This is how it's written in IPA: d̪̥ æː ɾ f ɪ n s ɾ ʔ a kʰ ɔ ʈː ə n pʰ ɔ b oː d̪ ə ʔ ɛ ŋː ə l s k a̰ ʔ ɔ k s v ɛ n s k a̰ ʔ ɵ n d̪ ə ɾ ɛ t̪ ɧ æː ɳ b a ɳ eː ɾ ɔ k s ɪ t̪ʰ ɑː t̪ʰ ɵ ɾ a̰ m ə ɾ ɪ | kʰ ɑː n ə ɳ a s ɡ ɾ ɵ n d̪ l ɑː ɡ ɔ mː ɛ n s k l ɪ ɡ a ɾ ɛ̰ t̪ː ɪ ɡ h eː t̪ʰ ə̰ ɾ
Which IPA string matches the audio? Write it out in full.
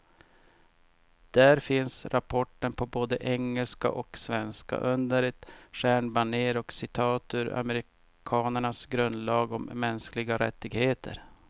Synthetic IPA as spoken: d̪̥ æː ɾ f ɪ n s ɾ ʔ a pʰ ɔ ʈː ə n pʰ ɔ b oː d̪ ə ʔ ɛ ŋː ə l s k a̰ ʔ ɔ k s v ɛ n s k a̰ ʔ ɵ n d̪ ə ɾ ɛ t̪ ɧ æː ɳ b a ɳ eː ɾ ɔ k s ɪ t̪ʰ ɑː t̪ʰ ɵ ɾ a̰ m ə ɾ ɪ | kʰ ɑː n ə ɳ a s ɡ ɾ ɵ n d̪ l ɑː ɡ ɔ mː ɛ n s k l ɪ ɡ a ɾ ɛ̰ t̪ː ɪ ɡ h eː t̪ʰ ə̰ ɾ